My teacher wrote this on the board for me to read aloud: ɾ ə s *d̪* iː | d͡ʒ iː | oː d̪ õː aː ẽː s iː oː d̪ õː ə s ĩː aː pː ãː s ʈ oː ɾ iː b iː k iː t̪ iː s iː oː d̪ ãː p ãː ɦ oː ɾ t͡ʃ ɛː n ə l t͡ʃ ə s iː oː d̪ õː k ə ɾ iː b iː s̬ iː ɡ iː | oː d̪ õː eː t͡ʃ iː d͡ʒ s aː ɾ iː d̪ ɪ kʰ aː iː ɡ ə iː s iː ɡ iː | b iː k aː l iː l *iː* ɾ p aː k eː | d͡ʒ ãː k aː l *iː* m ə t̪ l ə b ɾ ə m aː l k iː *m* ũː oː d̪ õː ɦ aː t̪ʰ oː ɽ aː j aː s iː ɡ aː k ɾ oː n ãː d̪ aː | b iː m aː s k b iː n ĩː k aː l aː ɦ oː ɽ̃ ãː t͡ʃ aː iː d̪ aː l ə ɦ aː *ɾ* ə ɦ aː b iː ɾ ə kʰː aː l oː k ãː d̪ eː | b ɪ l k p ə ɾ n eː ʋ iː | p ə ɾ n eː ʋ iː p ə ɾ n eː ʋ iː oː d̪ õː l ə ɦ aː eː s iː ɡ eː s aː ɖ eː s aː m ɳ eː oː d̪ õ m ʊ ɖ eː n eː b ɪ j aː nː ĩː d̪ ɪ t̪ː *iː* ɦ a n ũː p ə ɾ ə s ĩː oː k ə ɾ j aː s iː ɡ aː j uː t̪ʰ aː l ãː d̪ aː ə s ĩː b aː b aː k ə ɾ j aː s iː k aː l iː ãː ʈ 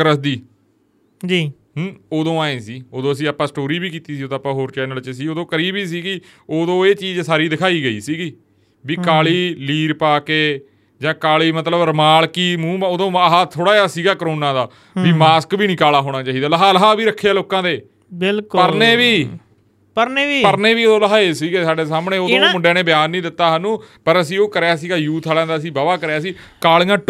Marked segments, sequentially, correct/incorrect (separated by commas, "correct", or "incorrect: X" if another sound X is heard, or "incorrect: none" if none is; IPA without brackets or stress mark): correct, correct, correct, correct, incorrect: l, incorrect: aː